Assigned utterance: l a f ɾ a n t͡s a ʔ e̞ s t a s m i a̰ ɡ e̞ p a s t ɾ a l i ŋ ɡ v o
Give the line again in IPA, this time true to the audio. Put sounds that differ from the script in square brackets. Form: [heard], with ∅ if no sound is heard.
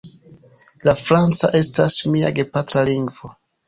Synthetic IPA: l a f ɾ a n t͡s a ʔ e̞ s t a s m i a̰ ɡ e̞ p a [∅] t ɾ a l i ŋ ɡ v o